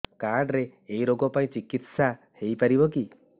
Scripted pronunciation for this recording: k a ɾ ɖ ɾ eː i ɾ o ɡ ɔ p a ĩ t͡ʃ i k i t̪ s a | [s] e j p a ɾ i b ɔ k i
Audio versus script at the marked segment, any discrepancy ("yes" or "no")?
yes